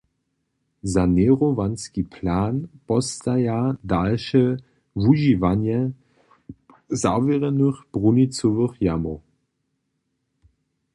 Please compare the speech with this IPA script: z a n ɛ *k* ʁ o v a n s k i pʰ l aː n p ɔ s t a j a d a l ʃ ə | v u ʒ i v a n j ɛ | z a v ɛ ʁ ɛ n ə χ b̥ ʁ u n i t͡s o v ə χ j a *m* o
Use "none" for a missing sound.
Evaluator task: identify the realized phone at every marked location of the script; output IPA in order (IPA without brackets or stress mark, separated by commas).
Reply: none, m